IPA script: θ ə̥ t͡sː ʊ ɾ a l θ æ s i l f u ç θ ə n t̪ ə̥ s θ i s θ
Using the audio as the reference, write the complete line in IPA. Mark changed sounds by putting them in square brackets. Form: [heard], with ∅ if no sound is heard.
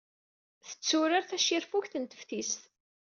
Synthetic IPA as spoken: θ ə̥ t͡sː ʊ ɾ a [ɾ] θ æ [ʃ] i [ɾ] f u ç θ ə n t̪ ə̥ [f] θ i s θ